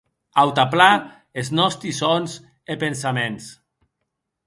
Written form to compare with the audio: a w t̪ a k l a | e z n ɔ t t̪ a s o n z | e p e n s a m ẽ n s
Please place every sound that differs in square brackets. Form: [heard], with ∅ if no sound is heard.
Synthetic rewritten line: a w t̪ a [p] l a | e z n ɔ [s] t̪ [i] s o n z | e p e n s a m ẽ n s